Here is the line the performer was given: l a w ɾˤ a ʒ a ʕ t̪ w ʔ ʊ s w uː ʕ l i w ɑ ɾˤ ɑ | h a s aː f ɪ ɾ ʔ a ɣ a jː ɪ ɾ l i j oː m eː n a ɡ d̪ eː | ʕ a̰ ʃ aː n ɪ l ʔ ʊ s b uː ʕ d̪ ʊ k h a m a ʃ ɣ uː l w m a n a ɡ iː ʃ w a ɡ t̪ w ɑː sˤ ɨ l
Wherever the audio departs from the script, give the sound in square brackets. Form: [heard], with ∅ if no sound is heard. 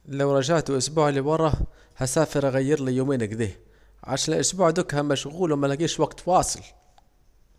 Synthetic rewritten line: l a w ɾˤ [ɑ] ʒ a ʕ t̪ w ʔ ʊ s [b] uː ʕ l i w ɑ ɾˤ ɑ | h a s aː f ɪ ɾ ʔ a ɣ a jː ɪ ɾ l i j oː m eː n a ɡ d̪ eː | ʕ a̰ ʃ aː n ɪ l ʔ ʊ s b uː ʕ d̪ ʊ k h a m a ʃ ɣ uː l w m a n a ɡ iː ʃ w a ɡ t̪ w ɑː sˤ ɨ l